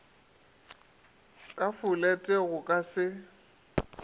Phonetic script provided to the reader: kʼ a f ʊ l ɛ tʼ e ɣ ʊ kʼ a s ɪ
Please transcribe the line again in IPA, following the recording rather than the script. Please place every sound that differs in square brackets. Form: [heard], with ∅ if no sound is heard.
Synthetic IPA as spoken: kʼ a f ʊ l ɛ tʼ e ɣ ʊ kʼ a s ɪ